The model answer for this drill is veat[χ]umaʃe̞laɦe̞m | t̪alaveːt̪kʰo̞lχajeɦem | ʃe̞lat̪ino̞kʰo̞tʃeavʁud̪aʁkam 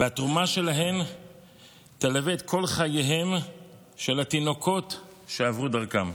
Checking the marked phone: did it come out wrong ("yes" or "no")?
yes